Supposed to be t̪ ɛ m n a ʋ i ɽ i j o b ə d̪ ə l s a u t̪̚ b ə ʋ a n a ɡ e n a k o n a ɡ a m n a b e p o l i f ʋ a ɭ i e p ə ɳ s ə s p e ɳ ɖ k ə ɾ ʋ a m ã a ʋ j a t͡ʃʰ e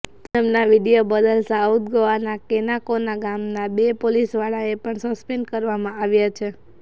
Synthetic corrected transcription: t̪ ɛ m n a ʋ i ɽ i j o b ə d̪ ə l s a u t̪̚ ɡ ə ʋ a n a k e n a k o n a ɡ a m n a b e p o l i s ʋ a ɭ a e p ə ɳ s ə s p e ɳ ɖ k ə ɾ ʋ a m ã a ʋ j a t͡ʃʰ e

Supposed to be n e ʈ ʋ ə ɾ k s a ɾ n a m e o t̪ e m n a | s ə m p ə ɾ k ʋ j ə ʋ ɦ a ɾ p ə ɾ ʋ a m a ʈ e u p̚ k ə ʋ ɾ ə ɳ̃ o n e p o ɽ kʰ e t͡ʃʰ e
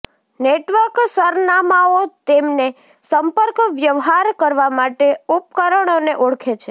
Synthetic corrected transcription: n e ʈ ʋ ə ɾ k s ə ɾ n a m a o t̪ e m n e | s ə m p ə ɾ k ʋ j ə ʋ ɦ a ɾ k ə ɾ ʋ a m a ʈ e u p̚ k ə ɾ ə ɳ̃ o n e ʔ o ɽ kʰ e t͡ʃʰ e

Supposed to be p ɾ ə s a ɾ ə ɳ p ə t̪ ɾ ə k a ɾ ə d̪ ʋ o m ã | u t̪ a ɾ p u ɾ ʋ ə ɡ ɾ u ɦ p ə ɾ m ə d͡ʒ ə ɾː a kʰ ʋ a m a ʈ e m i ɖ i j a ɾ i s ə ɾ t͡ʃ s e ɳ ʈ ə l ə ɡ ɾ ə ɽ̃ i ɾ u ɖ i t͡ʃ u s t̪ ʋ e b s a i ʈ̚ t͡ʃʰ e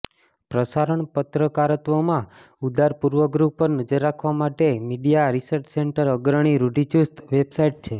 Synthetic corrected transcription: p ɾ ə s a ɾ ə ɳ p ə t̪ ɾ ə k a ɾ ə t̪ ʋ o m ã | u d̪ a ɾ p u ɾ ʋ ə ɡ ɾ u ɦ p ə ɾ n ə d͡ʒ ə ɾː a kʰ ʋ a m a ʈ e m i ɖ i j a ɾ i s ə ɾ t͡ʃ s e ɳ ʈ ə ɾ ə ɡ ɾ ə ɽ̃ i ɾ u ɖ i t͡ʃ u s t̪ ʋ e b s a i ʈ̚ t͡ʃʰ e

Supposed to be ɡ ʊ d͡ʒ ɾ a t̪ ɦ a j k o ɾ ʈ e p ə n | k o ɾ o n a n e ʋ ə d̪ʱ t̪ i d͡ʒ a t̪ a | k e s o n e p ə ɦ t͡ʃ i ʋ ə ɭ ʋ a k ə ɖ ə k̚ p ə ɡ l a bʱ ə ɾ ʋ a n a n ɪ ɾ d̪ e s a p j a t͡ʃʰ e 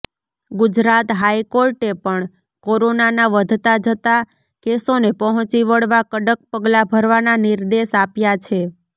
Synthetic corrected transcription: ɡ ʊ d͡ʒ ɾ a t̪ ɦ a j k o ɾ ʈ e p ə ɳ | k o ɾ o n a n a ʋ ə d̪ʱ t̪ a d͡ʒ ə t̪ a | k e s o n e p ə ɦ t͡ʃ i ʋ ə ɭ ʋ a k ə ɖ ə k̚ p ə ɡ l a bʱ ə ɾ ʋ a n a n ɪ ɾ d̪ e ʃ a p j a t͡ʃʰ e

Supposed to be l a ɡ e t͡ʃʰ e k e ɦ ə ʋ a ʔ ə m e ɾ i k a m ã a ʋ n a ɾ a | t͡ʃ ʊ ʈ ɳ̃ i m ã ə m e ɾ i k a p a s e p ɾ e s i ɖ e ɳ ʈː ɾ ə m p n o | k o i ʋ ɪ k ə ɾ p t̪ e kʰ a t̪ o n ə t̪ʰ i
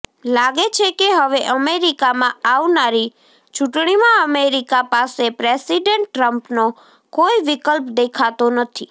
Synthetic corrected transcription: l a ɡ e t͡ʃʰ e k e ɦ ə ʋ e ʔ ə m e ɾ i k a m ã a ʋ n a ɾ i | t͡ʃ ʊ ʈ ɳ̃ i m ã ə m e ɾ i k a p a s e p ɾ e s i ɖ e ɳ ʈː ɾ ə m p n o | k o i ʋ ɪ k ə l p d̪ e kʰ a t̪ o n ə t̪ʰ i

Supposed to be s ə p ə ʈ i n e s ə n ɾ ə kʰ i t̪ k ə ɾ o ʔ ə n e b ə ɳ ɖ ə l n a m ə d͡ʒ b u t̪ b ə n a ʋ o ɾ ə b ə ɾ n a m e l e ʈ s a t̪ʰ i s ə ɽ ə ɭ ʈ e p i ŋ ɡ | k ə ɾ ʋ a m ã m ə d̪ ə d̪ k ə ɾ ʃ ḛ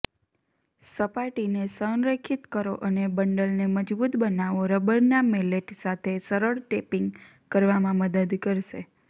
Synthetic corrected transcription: s ə p a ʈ i n e s ə n ɾ ə kʰ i t̪ k ə ɾ o ʔ ə n e b ə ɳ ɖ ə l n e m ə d͡ʒ b u t̪ b ə n a ʋ o ɾ ə b ə ɾ n a m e l e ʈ s a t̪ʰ e s ə ɾ ə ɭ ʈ e p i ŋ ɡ | k ə ɾ ʋ a m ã m ə d̪ ə d̪ k ə ɾ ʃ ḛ

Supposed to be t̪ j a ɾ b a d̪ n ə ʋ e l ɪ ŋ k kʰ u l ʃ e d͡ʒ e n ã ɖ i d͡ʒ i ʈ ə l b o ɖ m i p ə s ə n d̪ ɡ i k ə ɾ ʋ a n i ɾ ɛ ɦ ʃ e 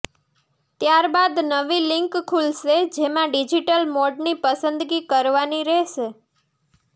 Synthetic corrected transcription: t̪ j a ɾ b a d̪ n ə ʋ i l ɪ ŋ k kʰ u l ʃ e d͡ʒ e m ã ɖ i d͡ʒ i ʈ ə l m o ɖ n i p ə s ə n d̪ ɡ i k ə ɾ ʋ a n i ɾ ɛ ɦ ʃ e

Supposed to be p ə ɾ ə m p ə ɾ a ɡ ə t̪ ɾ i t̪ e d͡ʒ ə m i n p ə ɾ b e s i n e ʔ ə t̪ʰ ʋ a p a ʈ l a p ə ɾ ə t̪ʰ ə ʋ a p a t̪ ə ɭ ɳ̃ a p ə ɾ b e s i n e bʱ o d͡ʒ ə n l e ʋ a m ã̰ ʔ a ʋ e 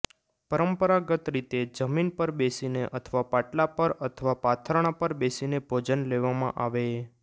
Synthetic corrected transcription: p ə ɾ ə m p ə ɾ a ɡ ə t̪ ɾ i t̪ e d͡ʒ ə m i n p ə ɾ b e s i n e ʔ ə t̪ʰ ʋ a p a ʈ l a p ə ɾ ə t̪ʰ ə ʋ a p a t̪ʰ ə ɾ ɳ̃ a p ə ɾ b e s i n e bʱ o d͡ʒ ə n l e ʋ a m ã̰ ʔ a ʋ e

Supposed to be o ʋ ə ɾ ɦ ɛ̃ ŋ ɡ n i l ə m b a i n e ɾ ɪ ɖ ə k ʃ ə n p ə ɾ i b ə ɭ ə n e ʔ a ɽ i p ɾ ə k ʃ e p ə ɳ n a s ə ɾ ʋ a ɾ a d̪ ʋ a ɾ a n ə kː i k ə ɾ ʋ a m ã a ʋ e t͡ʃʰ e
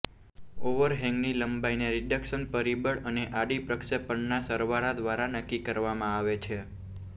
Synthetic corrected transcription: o ʋ ə ɾ ɦ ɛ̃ ŋ ɡ n i l ə m b a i n e ɾ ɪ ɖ ə k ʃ ə n p ə ɾ i b ə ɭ ə n e ʔ a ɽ i p ɾ ə k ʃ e p ə ɳ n a s ə ɾ ʋ a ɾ a d̪ ʋ a ɾ a n ə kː i k ə ɾ ʋ a m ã a ʋ e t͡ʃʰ e

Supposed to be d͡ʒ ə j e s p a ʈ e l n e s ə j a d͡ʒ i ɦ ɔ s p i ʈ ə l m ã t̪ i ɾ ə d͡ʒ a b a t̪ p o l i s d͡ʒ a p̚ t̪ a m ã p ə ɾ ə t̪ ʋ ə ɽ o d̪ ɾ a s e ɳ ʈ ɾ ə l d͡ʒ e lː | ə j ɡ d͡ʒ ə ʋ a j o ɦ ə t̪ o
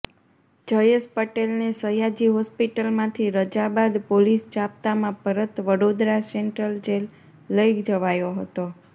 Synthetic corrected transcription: d͡ʒ ə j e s p ə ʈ e l n e s ə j a d͡ʒ i ɦ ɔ s p i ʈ ə l m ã t̪ʰ i ɾ ə d͡ʒ a b a d̪ p o l i s d͡ʒ a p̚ t̪ a m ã p ə ɾ ə t̪ ʋ ə ɽ o d̪ ɾ a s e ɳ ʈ ɾ ə l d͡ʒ e lː | ə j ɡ d͡ʒ ə ʋ a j o ɦ ə t̪ o

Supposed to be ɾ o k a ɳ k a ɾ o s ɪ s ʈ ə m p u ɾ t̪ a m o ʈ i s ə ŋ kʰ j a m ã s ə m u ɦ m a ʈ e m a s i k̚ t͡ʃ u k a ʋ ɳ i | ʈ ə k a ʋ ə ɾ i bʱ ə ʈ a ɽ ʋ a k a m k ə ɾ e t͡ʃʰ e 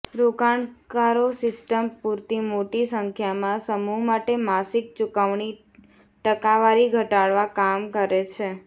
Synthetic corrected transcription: ɾ o k a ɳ k a ɾ o s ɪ s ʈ ə m p u ɾ t̪ i m o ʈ i s ə ŋ kʰ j a m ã s ə m u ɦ m a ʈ e m a s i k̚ t͡ʃ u k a ʋ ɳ i | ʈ ə k a ʋ a ɾ i ɡʱ ə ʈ a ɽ ʋ a k a m k ə ɾ e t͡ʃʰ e

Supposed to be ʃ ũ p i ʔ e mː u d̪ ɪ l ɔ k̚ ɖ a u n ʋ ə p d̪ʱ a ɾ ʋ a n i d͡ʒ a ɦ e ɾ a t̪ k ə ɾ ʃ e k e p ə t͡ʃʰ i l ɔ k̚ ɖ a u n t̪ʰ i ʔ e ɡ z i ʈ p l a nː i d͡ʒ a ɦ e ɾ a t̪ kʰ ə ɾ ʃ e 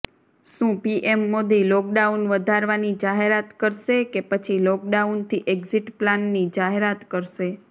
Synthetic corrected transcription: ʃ ũ p i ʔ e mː o d̪ i l ɔ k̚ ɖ a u n ʋ ə d̪ʱ a ɾ ʋ a n i d͡ʒ a ɦ e ɾ a t̪ k ə ɾ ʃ e k e p ə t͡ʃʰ i l ɔ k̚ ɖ a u n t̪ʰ i ʔ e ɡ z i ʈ p l a nː i d͡ʒ a ɦ e ɾ a t̪ k ə ɾ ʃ e

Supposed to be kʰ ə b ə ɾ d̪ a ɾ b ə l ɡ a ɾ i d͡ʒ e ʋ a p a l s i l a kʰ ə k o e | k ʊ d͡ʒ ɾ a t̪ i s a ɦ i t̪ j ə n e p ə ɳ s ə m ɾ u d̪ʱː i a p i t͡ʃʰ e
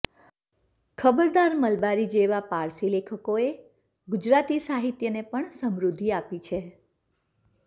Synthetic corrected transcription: kʰ ə b ə ɾ d̪ a ɾ m ə l b a ɾ i d͡ʒ e ʋ a p a ɾ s i l e kʰ ə k o e | ɡ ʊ d͡ʒ ɾ a t̪ i s a ɦ i t̪ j ə n e p ə ɳ s ə m ɾ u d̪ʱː i a p i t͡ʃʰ e

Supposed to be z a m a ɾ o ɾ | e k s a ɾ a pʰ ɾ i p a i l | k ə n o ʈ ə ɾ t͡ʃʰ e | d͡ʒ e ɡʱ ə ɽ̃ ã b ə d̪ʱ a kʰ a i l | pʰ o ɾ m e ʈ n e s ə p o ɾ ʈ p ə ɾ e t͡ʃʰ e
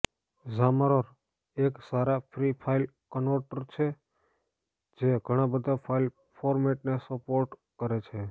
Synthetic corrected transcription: z a m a ɾ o ɾ | e k s a ɾ a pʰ ɾ i pʰ a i l | k ə n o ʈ ə ɾ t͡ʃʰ e | d͡ʒ e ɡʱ ə ɽ̃ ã b ə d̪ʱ a pʰ a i l | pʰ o ɾ m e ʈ n e s ə p o ɾ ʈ k ə ɾ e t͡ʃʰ e

